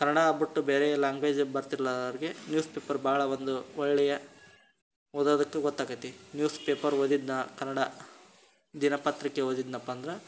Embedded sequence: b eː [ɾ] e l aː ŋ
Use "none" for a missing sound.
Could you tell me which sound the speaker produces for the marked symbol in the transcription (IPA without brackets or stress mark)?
ɾ